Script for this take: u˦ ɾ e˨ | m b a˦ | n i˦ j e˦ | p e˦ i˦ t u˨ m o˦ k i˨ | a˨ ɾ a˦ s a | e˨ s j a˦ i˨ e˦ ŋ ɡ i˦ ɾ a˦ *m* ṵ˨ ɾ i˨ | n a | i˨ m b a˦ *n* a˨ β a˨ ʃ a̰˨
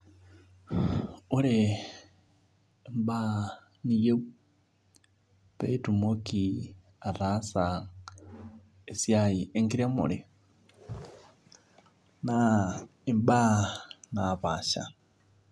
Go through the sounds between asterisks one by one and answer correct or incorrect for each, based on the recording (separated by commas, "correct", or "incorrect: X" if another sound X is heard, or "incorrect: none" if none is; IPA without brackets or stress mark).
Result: correct, correct